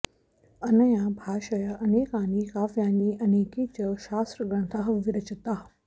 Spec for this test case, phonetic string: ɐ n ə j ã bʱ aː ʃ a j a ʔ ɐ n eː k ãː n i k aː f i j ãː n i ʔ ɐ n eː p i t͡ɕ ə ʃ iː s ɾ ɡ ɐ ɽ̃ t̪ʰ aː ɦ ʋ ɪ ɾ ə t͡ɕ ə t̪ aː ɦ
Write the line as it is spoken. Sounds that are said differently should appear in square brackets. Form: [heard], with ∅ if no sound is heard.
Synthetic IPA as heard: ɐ n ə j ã bʱ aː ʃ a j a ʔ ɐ n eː k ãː n i k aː f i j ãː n i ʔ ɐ n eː [k] i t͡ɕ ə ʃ [aː] s ɾ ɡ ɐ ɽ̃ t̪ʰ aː ɦ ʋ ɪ ɾ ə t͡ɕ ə t̪ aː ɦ